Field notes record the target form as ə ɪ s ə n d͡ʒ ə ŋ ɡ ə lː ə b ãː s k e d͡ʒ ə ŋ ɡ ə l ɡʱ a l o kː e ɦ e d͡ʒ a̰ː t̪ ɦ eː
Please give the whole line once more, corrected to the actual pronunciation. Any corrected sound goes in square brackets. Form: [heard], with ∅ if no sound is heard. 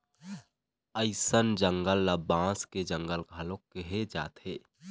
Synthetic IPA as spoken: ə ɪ s ə n d͡ʒ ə ŋ ɡ ə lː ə b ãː s k e d͡ʒ ə ŋ ɡ ə l ɡʱ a l o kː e ɦ e d͡ʒ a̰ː t̪ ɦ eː